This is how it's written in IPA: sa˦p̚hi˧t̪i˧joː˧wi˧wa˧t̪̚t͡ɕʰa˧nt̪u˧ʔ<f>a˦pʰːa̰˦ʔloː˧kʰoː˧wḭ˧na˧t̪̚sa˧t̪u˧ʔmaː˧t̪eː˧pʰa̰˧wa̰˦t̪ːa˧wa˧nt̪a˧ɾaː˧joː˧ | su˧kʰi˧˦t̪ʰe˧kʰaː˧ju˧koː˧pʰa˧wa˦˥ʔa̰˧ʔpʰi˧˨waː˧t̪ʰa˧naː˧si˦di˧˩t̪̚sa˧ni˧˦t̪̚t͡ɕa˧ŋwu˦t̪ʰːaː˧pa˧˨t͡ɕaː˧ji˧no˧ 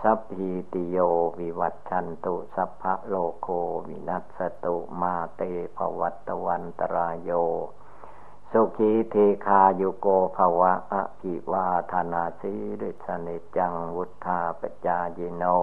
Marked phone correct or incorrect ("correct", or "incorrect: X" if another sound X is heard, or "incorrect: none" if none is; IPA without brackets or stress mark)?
incorrect: s